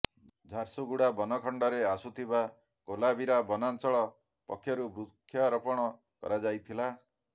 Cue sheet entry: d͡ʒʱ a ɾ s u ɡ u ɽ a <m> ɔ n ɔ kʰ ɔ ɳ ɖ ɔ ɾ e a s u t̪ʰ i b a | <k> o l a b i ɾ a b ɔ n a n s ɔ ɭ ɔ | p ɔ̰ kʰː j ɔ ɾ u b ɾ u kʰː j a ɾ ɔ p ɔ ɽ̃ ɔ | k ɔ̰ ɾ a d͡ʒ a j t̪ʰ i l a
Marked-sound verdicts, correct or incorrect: incorrect: b, correct

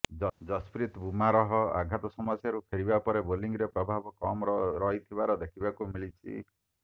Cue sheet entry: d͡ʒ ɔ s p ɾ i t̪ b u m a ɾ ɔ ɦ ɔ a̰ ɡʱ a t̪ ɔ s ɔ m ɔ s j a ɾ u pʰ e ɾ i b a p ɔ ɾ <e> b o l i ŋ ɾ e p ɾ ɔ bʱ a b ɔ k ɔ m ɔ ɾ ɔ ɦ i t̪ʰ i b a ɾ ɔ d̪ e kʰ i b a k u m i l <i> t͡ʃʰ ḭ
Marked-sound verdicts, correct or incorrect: correct, correct

